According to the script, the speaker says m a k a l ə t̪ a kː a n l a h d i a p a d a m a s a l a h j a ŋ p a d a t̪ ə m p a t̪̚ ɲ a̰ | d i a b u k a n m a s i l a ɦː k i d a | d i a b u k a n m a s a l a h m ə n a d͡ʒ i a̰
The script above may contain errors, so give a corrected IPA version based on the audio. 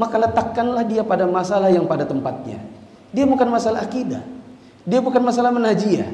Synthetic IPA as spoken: m a k a l ə t̪ a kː a n l a h d i a p a d a m a s a l a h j a ŋ p a d a t̪ ə m p a t̪̚ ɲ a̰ | d i a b u k a n m a s a l a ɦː k i d a | d i a b u k a n m a s a l a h m ə n a d͡ʒ i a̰